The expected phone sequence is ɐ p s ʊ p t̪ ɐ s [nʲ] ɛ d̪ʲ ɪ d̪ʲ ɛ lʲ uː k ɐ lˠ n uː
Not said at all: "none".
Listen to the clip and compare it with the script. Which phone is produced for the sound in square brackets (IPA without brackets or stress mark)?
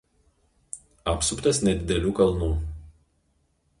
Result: nʲ